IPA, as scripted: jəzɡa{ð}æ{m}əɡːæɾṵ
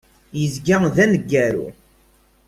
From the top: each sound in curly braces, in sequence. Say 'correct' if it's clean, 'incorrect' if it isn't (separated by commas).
correct, incorrect